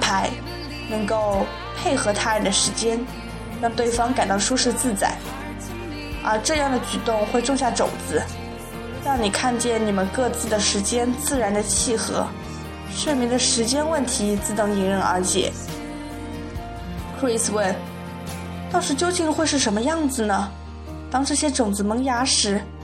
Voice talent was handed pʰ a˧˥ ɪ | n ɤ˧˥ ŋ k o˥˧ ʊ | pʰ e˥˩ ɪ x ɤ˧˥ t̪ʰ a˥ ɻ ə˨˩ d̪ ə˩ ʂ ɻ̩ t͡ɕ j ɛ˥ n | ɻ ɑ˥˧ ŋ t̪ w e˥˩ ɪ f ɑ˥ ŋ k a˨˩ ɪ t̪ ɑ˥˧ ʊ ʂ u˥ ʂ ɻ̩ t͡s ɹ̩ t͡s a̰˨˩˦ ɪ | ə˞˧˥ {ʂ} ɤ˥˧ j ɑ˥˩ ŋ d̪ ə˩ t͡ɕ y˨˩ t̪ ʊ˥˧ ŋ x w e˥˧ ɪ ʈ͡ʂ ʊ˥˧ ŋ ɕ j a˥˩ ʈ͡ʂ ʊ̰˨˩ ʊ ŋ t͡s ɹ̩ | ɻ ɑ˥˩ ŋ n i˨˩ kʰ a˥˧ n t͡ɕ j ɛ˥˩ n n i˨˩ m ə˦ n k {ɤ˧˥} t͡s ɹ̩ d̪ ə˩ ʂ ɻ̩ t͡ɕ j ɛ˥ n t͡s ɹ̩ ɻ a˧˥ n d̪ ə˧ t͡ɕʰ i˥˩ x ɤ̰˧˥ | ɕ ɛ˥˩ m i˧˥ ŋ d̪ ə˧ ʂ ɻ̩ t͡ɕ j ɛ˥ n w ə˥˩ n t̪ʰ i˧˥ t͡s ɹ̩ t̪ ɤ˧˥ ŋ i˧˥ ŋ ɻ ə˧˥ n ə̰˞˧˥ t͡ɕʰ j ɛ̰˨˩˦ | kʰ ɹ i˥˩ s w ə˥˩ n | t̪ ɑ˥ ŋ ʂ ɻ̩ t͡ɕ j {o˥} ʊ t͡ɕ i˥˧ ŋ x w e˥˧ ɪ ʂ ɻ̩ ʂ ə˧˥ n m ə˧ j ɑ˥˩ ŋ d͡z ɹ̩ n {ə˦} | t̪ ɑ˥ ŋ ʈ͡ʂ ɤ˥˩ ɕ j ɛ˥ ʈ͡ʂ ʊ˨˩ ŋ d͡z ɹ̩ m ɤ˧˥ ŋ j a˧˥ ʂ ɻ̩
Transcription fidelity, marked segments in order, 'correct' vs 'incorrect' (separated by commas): incorrect, incorrect, correct, incorrect